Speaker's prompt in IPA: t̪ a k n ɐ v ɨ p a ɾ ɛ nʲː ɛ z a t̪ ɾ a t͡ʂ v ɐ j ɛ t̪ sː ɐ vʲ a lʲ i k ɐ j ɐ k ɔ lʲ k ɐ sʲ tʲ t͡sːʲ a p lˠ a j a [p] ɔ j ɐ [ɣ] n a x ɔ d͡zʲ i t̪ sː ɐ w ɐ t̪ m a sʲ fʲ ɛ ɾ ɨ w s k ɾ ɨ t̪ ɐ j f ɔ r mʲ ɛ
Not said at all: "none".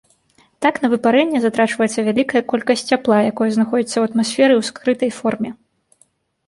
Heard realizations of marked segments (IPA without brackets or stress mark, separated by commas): k, z